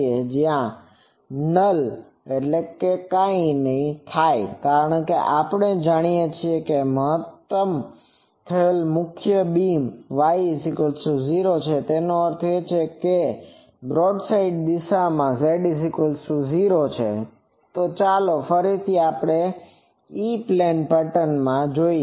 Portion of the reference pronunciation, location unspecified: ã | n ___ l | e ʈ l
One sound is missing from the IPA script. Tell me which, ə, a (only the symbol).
ə